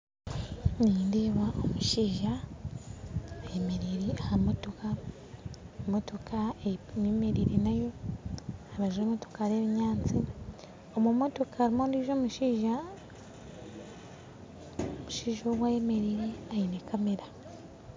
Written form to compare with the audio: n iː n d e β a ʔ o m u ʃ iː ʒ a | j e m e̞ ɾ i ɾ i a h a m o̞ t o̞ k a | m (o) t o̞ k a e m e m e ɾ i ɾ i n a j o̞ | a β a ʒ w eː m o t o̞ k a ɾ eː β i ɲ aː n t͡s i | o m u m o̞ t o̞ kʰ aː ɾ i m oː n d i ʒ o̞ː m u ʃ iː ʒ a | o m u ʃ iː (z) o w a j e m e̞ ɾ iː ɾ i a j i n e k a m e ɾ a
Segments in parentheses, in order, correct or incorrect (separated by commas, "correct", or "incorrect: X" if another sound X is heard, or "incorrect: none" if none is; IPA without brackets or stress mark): correct, incorrect: ʒ